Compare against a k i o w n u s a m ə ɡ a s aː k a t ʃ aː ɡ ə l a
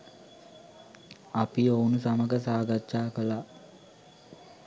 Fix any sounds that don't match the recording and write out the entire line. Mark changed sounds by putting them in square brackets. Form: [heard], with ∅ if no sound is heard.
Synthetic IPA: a [p] i o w n u s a m ə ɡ [ə] s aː [ɡ] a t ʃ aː [k] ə l a